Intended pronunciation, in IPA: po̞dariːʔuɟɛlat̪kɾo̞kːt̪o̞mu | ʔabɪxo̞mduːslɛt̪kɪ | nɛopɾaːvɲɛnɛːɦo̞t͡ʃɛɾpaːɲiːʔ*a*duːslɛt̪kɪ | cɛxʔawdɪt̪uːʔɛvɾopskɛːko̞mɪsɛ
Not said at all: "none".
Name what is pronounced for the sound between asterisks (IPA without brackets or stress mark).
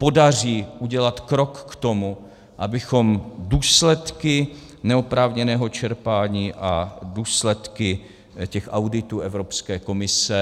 a